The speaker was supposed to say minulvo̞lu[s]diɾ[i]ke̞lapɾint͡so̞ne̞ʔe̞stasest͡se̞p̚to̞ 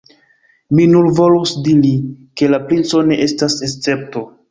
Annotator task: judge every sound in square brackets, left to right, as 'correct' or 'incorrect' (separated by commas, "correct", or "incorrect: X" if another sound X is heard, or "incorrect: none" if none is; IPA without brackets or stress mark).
correct, correct